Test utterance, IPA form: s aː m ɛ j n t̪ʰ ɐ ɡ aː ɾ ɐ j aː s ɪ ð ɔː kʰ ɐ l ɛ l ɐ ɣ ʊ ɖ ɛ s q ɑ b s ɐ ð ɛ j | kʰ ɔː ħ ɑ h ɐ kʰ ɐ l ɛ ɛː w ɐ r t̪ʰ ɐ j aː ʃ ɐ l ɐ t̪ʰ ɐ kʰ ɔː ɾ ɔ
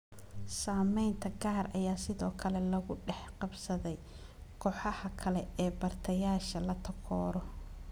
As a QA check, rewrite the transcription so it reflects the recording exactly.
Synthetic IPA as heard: s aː m ɛ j n t̪ʰ ɐ ɡ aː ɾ ɐ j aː s ɪ ð ɔː kʰ ɐ l ɛ l ɐ ɣ ʊ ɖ ɛ ħ q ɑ b s ɐ ð ɛ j | kʰ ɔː ħ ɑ h ɐ kʰ ɐ l ɛ ɛː b ɐ r t̪ʰ ɐ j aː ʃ ɐ l ɐ t̪ʰ ɐ kʰ ɔː ɾ ɔ